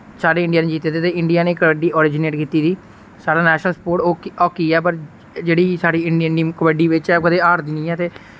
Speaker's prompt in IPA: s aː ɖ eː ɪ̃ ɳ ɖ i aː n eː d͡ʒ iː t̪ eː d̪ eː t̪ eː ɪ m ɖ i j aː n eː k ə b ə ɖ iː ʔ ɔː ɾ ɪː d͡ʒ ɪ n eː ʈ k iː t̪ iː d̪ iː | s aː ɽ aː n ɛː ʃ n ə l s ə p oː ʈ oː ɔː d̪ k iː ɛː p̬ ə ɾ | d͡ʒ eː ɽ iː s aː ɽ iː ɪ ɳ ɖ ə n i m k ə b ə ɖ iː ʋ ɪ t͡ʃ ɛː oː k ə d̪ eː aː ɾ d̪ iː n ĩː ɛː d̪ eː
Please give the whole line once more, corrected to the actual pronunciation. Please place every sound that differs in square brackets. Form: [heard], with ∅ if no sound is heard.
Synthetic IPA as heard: s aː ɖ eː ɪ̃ ɳ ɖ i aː n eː d͡ʒ iː t̪ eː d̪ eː t̪ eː ɪ [ɳ] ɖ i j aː n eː k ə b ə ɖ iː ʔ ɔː ɾ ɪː d͡ʒ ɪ n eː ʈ k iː t̪ iː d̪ iː | s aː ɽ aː n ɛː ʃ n ə l s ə p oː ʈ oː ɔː [∅] k iː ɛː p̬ ə ɾ | d͡ʒ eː ɽ iː s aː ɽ iː ɪ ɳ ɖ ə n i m k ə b ə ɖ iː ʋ ɪ t͡ʃ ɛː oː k ə d̪ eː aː ɾ d̪ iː n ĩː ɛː [t̪] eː